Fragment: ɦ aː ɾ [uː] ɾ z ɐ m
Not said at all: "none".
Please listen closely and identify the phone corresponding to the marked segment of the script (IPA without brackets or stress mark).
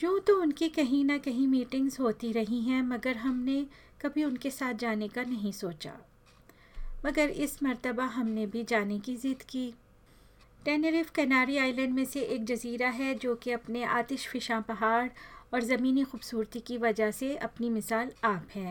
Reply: ɔː